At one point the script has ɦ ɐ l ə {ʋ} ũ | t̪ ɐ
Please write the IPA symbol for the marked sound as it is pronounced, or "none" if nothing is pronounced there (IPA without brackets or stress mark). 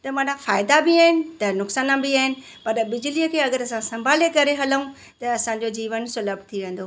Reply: none